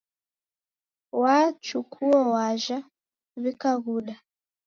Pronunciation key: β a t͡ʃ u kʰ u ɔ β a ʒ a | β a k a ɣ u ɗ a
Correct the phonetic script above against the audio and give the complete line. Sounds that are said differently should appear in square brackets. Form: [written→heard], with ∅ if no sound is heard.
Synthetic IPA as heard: [β→w] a t͡ʃ u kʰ u ɔ [β→w] a ʒ a | β [a→i] k a ɣ u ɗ a